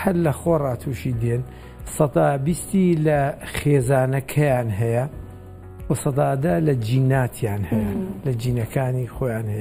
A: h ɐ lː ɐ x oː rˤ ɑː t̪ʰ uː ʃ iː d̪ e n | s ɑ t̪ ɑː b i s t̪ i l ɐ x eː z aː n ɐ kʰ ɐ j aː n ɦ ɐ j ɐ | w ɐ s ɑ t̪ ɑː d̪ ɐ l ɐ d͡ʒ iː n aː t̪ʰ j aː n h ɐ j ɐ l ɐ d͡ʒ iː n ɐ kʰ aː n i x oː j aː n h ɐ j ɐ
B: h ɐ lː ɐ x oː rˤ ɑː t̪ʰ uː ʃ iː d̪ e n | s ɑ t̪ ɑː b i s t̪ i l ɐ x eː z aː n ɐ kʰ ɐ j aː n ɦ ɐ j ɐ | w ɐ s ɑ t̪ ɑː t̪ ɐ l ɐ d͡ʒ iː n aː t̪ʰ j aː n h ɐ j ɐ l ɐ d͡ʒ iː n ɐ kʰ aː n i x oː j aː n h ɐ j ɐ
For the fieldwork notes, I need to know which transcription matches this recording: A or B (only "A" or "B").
A